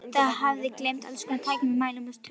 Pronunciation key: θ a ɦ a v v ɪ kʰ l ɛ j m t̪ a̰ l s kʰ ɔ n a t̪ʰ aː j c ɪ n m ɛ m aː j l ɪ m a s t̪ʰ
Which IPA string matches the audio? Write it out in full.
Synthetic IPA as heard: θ a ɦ a v ð ɪ k l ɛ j m t̪ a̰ l s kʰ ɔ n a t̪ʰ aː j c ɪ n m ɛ m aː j l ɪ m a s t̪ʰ